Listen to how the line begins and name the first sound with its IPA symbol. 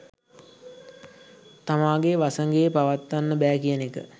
t̪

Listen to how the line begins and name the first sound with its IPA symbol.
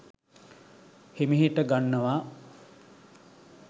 h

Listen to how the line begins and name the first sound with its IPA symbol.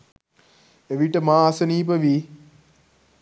e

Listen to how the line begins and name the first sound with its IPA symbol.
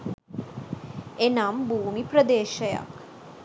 e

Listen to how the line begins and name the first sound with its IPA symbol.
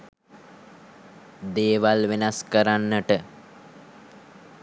d̪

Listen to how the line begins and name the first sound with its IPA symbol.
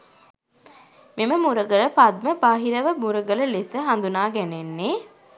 m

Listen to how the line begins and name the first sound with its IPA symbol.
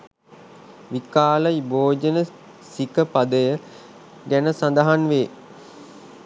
ʋ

